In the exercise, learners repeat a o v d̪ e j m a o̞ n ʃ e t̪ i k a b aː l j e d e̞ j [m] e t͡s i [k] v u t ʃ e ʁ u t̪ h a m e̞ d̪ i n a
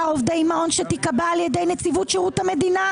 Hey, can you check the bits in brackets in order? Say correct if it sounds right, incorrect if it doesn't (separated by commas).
incorrect, incorrect